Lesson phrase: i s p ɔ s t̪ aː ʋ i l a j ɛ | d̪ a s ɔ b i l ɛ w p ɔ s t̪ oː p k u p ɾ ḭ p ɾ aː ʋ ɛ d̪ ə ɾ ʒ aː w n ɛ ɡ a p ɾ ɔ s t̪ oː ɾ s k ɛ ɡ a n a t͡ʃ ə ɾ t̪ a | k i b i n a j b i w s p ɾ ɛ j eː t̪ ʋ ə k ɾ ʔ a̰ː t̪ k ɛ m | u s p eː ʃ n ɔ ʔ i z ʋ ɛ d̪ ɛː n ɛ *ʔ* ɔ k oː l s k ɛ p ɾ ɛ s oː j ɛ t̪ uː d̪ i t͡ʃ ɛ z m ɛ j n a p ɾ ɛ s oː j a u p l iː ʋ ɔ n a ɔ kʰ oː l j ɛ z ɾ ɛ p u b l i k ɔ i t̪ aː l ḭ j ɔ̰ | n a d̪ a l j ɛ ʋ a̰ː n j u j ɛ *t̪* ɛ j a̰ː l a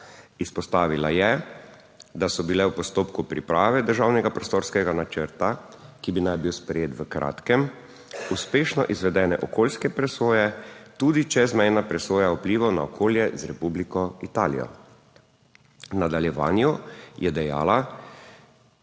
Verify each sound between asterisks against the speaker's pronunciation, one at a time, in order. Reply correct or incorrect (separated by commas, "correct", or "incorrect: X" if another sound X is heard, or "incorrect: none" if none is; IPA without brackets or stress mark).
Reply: correct, incorrect: d̪